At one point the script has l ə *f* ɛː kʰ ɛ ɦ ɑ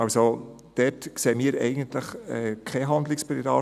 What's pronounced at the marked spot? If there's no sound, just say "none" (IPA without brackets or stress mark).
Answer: χ